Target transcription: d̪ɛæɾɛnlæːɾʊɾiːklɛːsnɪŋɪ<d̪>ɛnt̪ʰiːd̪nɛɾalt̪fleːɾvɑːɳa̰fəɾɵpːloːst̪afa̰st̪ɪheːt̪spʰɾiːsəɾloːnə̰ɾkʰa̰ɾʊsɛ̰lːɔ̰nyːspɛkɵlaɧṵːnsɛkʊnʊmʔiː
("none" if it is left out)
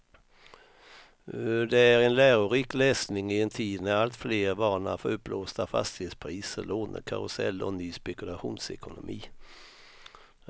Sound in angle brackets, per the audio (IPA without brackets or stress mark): none